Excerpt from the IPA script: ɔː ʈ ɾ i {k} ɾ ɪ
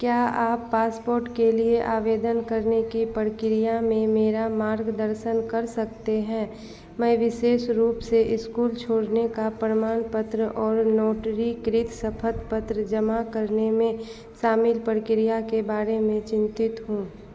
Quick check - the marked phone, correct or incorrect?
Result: correct